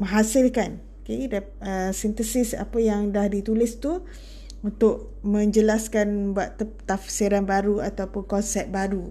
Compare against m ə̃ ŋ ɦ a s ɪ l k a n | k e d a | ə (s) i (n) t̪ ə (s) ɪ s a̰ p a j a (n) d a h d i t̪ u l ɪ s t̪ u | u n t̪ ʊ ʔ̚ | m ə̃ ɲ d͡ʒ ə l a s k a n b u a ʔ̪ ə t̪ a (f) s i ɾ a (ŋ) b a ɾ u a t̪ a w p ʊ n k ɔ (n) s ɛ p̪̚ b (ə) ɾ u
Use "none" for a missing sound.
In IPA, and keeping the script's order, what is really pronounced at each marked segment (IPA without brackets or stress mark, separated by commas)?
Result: s, n, s, ŋ, f, n, n, a